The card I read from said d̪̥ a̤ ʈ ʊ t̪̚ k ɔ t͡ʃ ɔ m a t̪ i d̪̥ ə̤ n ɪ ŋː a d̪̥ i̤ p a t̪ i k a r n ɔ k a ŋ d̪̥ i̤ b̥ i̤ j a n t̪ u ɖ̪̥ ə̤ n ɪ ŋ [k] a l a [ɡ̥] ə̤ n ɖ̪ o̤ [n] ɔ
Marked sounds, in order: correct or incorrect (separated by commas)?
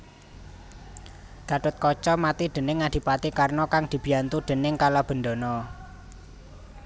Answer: correct, incorrect, correct